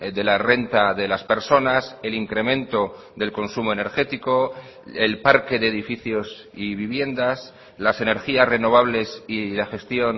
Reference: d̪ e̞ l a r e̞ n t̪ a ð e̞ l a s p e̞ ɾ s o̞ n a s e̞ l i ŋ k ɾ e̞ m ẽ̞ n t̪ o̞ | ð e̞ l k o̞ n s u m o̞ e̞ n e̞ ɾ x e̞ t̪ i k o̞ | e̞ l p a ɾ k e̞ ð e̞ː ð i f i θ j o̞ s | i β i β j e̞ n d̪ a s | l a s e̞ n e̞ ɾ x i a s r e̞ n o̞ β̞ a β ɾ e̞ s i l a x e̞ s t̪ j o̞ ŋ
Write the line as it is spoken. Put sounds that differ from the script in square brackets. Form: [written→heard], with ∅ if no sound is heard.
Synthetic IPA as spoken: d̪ e̞ l a r e̞ n t̪ a ð e̞ l a s p e̞ ɾ s o̞ n a s e̞ l i ŋ k ɾ e̞ m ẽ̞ n t̪ o̞ | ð e̞ l k o̞ n s u m o̞ e̞ n e̞ ɾ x e̞ t̪ i k o̞ | e̞ l p a ɾ k e̞ ð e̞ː ð i f i θ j o̞ s | i β i β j e̞ n d̪ a s | l a s e̞ n e̞ ɾ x i a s r e̞ n o̞ β̞ a β [ɾ→l] e̞ s i l a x e̞ s t̪ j o̞ [ŋ→n]

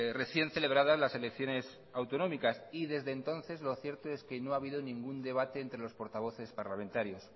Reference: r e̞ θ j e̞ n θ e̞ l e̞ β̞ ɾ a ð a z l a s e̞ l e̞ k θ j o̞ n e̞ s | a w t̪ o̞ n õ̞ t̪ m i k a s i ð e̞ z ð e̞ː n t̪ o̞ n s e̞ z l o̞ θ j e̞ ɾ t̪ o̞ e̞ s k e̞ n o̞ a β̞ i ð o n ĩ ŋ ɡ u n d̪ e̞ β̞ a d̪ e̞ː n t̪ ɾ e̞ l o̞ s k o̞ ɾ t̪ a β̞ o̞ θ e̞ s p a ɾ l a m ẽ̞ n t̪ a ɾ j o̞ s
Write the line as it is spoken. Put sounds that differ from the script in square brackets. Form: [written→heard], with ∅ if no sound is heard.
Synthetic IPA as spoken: r e̞ θ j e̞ n θ e̞ l e̞ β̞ ɾ a ð a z l a s e̞ l e̞ k θ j o̞ n e̞ s | a w t̪ o̞ n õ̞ [t̪→∅] m i k a s i ð e̞ z ð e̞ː n t̪ o̞ n [s→θ] e̞ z l o̞ θ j e̞ ɾ t̪ o̞ e̞ s k e̞ n o̞ a β̞ i ð o n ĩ ŋ ɡ u n d̪ e̞ β̞ a [d̪→t̪] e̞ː n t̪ ɾ e̞ l o̞ s [k→p] o̞ ɾ t̪ a β̞ o̞ θ e̞ s p a ɾ l a m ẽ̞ n t̪ a ɾ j o̞ s

